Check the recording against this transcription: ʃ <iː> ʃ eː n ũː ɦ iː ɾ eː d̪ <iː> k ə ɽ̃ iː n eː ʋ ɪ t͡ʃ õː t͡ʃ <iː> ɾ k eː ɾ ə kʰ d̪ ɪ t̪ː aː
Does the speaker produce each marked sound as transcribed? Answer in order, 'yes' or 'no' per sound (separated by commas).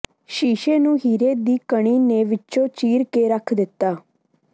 yes, yes, yes